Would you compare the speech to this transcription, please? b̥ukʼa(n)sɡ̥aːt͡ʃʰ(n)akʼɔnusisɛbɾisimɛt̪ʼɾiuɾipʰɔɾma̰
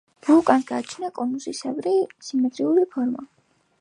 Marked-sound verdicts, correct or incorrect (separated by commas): correct, correct